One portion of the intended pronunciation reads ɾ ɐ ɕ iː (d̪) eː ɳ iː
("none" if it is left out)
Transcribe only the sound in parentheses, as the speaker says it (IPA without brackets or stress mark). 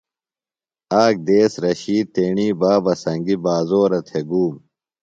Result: t̪